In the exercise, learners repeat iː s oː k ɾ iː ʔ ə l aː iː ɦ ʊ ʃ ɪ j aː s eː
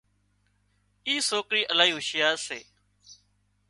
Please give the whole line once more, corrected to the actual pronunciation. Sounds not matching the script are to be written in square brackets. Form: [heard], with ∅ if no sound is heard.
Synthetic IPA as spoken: iː s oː k ɾ iː ʔ ə l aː iː ɦ ʊ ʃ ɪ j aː s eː

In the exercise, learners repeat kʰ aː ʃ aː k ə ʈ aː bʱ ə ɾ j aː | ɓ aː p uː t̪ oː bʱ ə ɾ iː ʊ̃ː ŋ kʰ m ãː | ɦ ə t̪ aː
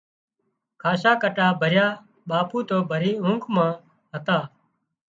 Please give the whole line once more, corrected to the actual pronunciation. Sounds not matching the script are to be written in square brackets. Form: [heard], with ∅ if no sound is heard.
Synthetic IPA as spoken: kʰ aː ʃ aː k ə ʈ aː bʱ ə ɾ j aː | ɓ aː p uː t̪ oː bʱ ə ɾ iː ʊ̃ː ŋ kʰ m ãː | ɦ ə t̪ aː

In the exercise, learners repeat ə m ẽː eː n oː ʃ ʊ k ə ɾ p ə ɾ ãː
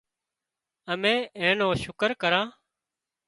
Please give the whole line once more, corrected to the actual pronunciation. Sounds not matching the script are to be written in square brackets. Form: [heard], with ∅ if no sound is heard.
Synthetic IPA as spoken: ə m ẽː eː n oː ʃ ʊ k ə ɾ [k] ə ɾ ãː

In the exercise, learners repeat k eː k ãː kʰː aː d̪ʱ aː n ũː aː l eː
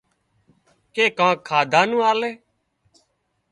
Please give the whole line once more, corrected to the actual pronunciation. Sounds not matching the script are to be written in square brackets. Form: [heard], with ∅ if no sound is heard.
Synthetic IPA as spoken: k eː k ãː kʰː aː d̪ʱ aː n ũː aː l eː

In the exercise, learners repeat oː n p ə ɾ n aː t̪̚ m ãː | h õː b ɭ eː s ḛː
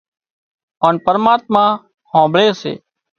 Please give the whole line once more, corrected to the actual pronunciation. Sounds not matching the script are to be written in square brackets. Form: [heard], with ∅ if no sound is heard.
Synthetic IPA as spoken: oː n p ə ɾ [m] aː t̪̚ m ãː | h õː b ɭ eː s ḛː

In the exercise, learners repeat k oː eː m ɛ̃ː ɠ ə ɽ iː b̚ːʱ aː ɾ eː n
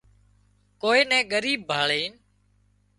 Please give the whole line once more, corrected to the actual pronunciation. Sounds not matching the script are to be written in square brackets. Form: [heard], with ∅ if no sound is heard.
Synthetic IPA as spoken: k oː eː [n] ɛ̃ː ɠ ə [ɾ] iː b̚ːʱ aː [ɭ] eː n

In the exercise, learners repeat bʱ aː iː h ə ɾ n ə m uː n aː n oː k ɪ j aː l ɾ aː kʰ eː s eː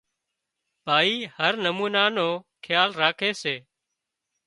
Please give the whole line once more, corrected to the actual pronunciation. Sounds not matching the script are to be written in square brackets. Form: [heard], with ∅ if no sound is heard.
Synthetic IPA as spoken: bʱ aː iː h ə ɾ n ə m uː n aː n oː [kʰ] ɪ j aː l ɾ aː kʰ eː s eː

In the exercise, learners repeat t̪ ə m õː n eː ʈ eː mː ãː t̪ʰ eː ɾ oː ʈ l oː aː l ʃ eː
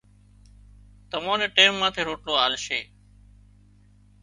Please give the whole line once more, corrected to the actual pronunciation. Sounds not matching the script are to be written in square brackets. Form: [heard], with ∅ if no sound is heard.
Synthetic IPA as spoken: t̪ ə m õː n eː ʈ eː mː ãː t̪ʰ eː ɾ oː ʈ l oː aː l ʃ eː

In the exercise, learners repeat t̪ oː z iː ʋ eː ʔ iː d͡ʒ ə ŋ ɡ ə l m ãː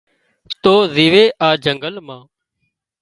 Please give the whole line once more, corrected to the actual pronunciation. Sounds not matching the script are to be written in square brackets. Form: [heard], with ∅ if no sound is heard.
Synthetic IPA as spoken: t̪ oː z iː ʋ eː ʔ [aː] d͡ʒ ə ŋ ɡ ə l m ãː

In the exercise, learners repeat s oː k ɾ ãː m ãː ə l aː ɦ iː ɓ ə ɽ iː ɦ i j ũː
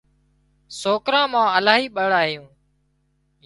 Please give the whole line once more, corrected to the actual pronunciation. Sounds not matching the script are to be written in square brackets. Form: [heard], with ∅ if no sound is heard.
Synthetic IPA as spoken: s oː k ɾ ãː m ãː ə l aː ɦ iː ɓ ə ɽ [aː] ɦ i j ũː

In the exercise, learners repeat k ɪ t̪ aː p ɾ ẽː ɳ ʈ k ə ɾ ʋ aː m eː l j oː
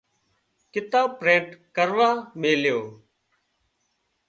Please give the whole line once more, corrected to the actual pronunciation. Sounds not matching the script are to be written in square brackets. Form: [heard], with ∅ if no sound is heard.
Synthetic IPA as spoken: k ɪ t̪ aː p ɾ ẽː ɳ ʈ k ə ɾ ʋ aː m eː l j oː

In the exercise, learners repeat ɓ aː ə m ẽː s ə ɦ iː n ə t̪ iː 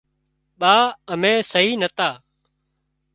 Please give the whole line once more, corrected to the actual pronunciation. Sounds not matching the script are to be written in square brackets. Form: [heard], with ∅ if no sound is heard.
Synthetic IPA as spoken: ɓ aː ə m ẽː s ə ɦ iː n ə t̪ [aː]

